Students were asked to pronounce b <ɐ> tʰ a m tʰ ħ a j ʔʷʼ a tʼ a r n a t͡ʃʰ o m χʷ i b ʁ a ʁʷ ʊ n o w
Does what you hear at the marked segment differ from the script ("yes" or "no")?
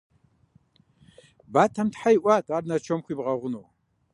yes